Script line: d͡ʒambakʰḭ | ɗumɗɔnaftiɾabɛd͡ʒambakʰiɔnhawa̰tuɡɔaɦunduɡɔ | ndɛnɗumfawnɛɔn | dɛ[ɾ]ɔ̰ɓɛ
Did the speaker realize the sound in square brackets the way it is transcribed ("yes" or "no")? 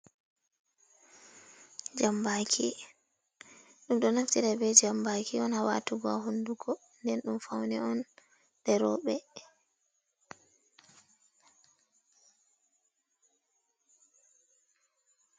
yes